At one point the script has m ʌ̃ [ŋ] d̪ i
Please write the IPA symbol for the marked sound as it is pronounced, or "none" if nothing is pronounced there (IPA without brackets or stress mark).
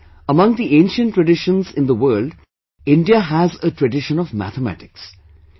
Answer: ŋ